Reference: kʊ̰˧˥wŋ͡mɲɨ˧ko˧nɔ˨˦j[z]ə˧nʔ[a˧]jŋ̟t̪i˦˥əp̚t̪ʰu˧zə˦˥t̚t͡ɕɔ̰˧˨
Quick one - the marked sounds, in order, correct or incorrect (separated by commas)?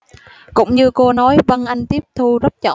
incorrect, correct